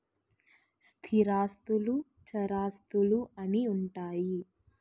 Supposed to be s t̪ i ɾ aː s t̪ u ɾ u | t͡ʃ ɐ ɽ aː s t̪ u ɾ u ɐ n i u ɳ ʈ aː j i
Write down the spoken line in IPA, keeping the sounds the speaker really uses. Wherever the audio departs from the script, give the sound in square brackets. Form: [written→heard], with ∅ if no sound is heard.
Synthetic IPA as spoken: s [t̪→t̪ʰ] i ɾ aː s t̪ u [ɾ→l] u | t͡ʃ ɐ [ɽ→ɾ] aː s t̪ u [ɾ→l] u ɐ n i u ɳ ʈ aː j i